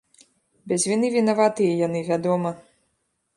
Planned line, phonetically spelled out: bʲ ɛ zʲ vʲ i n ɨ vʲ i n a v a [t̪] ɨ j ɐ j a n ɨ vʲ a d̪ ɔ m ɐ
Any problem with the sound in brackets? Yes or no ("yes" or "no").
no